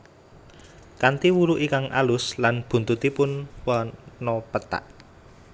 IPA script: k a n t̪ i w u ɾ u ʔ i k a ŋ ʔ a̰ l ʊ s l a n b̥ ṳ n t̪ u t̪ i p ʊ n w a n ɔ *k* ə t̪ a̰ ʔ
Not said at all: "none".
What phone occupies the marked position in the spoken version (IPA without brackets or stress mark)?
p